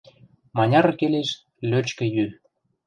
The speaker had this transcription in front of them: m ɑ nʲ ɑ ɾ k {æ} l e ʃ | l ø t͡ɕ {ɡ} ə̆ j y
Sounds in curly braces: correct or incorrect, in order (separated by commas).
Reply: incorrect, incorrect